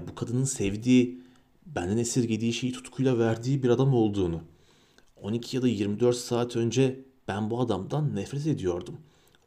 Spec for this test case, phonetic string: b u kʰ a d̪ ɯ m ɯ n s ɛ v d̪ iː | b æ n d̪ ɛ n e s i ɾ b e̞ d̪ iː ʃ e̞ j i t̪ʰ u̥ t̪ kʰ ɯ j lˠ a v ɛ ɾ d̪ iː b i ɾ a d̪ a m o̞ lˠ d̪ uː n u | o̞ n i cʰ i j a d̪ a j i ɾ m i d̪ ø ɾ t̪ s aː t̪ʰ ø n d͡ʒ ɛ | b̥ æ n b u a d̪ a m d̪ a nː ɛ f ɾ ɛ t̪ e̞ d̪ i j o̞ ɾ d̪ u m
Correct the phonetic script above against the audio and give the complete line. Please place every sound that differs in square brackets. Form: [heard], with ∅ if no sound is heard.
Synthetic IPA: b u kʰ a d̪ ɯ [n] ɯ n s ɛ v d̪ iː | b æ n d̪ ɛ n e s i ɾ [ɟ] e̞ d̪ iː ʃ e̞ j i t̪ʰ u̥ t̪ kʰ [u] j lˠ a v [æ] ɾ d̪ iː b i ɾ a d̪ a m o̞ lˠ d̪ uː n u | o̞ n i cʰ i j a d̪ a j i ɾ m i d̪ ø ɾ t̪ s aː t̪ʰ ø n d͡ʒ ɛ | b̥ æ n b u a d̪ a m d̪ a nː ɛ f ɾ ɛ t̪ e̞ d̪ i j o̞ ɾ d̪ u m